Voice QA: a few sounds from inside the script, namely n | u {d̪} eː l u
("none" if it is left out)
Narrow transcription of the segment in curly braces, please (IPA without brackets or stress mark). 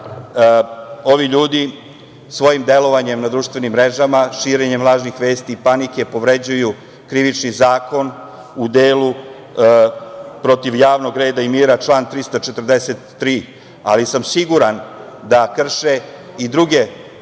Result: d̪